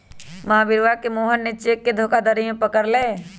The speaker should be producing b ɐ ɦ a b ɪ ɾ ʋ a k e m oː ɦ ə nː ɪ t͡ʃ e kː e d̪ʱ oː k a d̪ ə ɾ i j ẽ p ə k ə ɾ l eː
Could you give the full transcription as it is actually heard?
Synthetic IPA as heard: m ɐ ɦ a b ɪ ɾ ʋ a k e m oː ɦ ə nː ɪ t͡ʃ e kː e d̪ʱ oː k a d̪ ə ɾ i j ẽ p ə k ə ɾ l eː